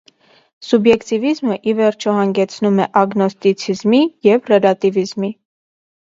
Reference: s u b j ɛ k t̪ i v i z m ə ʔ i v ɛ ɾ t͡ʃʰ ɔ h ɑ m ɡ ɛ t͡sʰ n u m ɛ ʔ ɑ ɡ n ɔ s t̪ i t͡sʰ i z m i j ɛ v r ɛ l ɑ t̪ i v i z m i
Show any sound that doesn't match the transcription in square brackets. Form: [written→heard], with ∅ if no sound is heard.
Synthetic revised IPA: s u b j ɛ k t̪ i v i z m ə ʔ i v ɛ ɾ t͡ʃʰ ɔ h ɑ [m→ŋ] ɡ ɛ t͡sʰ n u m ɛ ʔ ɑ ɡ n ɔ s t̪ i t͡sʰ i z m i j ɛ v r ɛ l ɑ t̪ i v i z m i